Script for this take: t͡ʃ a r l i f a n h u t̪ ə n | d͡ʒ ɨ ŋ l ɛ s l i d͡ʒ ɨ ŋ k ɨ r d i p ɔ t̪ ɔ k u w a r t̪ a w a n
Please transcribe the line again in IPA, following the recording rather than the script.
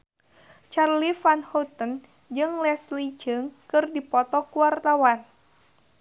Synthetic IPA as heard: t͡ʃ a r l i f a n h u t̪ ə n | d͡ʒ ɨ ŋ l ɛ s l i d͡ʒ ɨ ŋ k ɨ r d i p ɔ t̪ ɔ k u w a r t̪ a w a n